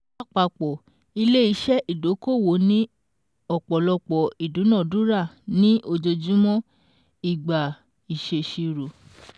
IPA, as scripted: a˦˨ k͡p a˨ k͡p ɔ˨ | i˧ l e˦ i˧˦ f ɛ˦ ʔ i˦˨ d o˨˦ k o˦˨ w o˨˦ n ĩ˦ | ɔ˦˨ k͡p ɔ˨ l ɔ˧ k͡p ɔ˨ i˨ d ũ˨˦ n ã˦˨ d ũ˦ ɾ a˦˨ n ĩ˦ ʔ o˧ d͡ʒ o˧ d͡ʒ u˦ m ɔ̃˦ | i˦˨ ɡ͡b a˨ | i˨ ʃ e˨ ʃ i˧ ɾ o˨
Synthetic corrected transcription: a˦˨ k͡p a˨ k͡p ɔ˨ | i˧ l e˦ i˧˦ ʃ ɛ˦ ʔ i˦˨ d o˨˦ k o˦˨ w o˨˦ n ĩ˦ | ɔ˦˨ k͡p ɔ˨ l ɔ˧ k͡p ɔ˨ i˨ d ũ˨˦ n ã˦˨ d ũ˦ ɾ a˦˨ n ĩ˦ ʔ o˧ d͡ʒ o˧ d͡ʒ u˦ m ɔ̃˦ | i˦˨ ɡ͡b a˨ | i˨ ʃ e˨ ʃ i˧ ɾ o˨